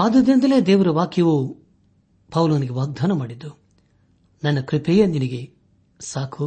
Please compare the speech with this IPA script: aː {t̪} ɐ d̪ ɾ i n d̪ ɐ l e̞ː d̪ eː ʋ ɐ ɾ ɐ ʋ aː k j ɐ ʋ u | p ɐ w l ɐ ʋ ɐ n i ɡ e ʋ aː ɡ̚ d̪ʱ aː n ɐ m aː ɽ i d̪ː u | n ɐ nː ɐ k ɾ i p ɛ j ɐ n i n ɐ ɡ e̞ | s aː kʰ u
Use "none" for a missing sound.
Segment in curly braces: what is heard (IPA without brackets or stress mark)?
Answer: d̪